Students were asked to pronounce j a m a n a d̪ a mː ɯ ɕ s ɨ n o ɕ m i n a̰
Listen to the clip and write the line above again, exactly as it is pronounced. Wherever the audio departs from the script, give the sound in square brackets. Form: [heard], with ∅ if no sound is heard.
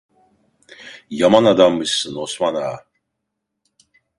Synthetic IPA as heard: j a m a n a d̪ a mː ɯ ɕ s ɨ n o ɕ m [a] n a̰